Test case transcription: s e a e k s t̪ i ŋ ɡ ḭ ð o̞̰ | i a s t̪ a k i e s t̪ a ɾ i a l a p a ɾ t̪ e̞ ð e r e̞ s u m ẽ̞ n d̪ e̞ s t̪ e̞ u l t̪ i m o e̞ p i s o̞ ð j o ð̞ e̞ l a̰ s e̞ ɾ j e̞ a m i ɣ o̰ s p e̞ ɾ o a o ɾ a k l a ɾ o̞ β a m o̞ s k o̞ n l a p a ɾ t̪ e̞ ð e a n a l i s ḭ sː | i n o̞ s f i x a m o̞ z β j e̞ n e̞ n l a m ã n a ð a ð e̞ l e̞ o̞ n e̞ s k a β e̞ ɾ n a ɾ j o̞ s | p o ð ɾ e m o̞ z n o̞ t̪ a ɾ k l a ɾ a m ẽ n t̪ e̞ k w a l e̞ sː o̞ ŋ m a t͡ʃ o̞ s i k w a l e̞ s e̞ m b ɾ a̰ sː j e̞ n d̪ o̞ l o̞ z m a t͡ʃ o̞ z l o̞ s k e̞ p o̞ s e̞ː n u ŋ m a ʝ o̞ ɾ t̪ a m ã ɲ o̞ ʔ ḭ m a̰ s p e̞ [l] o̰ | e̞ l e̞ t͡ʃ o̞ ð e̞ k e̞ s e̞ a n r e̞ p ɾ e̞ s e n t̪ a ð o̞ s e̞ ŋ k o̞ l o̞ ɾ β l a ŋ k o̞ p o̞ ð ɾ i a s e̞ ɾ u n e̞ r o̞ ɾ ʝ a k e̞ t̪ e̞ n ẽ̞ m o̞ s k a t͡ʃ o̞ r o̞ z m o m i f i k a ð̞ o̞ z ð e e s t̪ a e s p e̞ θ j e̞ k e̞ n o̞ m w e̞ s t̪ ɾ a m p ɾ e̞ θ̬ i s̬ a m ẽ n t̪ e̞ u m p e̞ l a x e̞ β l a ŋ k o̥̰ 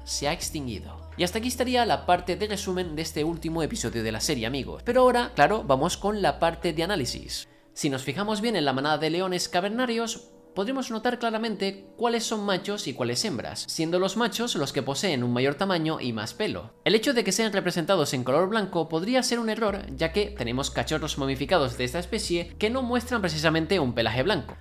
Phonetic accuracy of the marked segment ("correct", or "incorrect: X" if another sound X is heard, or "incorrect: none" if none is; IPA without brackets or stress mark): correct